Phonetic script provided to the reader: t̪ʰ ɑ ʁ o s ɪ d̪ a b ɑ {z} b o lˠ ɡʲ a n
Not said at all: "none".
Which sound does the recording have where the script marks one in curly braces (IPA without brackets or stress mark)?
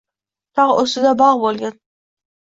ʁ